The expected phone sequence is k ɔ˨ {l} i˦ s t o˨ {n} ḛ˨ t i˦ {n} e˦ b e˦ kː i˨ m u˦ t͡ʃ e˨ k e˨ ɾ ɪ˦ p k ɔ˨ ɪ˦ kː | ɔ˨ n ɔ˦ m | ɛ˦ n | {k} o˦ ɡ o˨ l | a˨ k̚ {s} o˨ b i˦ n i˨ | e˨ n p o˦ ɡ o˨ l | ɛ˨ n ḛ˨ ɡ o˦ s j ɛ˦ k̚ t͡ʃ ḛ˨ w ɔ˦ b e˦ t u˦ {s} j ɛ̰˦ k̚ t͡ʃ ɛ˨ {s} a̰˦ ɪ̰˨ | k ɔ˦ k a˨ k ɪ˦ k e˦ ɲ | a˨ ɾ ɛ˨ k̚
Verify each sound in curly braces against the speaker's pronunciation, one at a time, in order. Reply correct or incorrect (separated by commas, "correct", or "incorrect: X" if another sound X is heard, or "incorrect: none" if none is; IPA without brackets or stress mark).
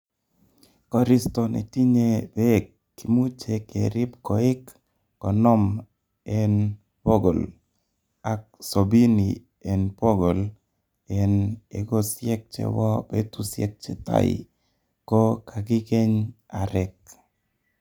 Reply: incorrect: ɾ, correct, incorrect: ɲ, incorrect: p, correct, correct, incorrect: t